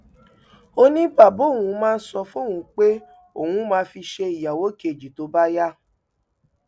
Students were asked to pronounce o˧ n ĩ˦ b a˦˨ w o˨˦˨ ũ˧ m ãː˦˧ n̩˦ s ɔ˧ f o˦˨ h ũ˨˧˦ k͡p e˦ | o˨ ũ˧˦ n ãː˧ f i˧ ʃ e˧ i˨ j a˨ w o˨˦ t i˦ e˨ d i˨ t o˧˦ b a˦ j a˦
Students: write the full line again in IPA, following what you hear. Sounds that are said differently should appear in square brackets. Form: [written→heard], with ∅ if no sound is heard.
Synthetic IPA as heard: o˧ n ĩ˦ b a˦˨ [w→b] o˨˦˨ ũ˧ m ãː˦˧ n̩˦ s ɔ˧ f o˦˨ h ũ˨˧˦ k͡p e˦ | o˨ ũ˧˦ [n→m] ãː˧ f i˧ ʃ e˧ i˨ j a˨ w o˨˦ [t→k] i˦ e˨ [d→d͡ʒ] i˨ t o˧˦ b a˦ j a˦

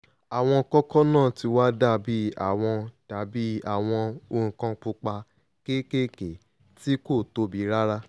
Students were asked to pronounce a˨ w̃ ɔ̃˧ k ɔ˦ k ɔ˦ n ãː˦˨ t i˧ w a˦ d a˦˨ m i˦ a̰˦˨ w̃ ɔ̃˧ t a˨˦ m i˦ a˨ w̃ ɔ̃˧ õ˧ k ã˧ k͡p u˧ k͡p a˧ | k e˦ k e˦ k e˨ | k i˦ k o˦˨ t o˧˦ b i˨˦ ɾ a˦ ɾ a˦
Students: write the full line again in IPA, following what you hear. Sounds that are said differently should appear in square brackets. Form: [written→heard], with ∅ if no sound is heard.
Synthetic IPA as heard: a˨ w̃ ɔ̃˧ k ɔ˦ k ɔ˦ n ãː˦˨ t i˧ w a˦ d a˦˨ [m→b] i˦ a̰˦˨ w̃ ɔ̃˧ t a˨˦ [m→b] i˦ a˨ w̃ ɔ̃˧ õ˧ k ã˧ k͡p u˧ k͡p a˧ | k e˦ k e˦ k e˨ | [k→t] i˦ k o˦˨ t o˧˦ b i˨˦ ɾ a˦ ɾ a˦

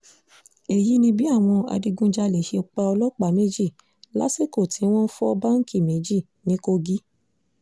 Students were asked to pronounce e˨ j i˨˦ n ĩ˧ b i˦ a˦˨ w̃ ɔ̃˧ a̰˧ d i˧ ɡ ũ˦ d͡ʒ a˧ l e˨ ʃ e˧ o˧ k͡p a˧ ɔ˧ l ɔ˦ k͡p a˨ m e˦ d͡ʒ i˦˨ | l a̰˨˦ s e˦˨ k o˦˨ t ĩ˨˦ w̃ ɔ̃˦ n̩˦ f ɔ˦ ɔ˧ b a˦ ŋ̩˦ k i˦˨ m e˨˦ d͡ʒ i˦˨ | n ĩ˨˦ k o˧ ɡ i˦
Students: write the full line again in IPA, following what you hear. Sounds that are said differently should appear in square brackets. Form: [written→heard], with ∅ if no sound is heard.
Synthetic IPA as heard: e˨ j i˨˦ n ĩ˧ b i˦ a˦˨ w̃ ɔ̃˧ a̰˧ d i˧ ɡ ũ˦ d͡ʒ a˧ l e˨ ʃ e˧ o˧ k͡p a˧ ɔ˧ l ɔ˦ k͡p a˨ m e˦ d͡ʒ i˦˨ | l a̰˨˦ s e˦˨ k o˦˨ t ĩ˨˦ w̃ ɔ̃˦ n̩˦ f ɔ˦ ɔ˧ b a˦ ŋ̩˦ k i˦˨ m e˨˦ d͡ʒ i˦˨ | n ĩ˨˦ k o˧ ɡ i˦

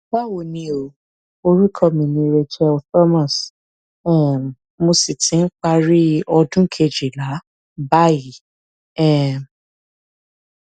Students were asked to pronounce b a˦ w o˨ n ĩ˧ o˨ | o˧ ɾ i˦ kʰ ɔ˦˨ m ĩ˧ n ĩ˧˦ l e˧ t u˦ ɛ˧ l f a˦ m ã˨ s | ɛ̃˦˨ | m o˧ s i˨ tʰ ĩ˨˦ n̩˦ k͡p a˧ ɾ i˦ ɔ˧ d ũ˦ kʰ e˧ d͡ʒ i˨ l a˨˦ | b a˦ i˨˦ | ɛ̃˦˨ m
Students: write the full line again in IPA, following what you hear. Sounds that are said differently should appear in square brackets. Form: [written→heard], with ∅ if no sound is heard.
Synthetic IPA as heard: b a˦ w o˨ n ĩ˧ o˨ | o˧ ɾ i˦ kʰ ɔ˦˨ m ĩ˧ n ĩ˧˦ [l→ɾ] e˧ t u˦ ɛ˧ l f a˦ m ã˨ s | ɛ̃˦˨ | m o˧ s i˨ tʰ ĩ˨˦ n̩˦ k͡p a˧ ɾ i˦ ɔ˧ d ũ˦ kʰ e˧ d͡ʒ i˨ l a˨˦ | b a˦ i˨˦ | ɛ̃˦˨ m

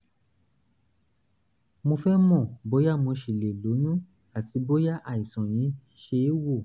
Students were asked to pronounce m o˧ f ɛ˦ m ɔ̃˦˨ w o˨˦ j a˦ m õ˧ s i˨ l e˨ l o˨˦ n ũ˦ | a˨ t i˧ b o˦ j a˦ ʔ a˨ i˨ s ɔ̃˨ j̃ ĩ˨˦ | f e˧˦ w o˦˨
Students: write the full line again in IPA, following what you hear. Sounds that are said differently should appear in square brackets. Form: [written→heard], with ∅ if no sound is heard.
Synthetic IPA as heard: m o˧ f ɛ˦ m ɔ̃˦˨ [w→b] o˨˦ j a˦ m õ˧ [s→ʃ] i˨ l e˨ l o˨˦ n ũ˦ | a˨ t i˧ b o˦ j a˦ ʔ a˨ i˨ s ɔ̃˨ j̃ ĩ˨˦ | [f→ʃ] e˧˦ w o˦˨

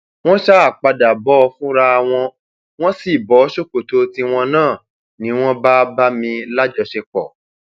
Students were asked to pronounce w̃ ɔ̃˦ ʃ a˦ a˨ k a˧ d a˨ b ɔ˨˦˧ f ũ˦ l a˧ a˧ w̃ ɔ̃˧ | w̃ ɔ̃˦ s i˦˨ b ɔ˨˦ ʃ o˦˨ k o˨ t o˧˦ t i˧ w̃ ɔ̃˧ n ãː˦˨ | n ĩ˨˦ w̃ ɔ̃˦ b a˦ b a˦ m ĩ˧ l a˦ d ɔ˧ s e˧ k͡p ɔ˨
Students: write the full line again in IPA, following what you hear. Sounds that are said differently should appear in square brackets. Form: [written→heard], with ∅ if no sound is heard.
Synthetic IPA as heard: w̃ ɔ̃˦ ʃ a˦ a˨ [k→k͡p] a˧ d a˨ b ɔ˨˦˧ f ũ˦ [l→ɾ] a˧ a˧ w̃ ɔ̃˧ | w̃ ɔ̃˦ s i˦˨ b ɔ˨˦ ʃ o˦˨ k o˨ t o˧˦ t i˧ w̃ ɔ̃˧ n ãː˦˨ | n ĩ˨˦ w̃ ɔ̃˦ b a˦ b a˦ m ĩ˧ l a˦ [d→d͡ʒ] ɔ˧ [s→ʃ] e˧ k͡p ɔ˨

